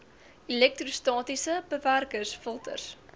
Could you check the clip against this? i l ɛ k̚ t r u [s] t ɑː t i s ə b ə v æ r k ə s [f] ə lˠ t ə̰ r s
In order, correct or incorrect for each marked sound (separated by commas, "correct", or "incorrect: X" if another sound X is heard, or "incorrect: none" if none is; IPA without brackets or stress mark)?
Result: correct, correct